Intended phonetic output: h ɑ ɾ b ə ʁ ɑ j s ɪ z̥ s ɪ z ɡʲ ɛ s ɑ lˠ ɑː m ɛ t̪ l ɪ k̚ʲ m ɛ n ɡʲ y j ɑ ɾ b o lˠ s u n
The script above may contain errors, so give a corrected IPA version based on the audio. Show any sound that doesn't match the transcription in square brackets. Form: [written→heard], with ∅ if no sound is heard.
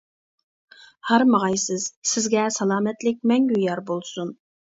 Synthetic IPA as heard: h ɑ ɾ [b→m] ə ʁ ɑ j s ɪ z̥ s ɪ z ɡʲ ɛ s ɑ lˠ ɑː m ɛ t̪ l ɪ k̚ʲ m ɛ [n→ŋ] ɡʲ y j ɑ ɾ b o lˠ s u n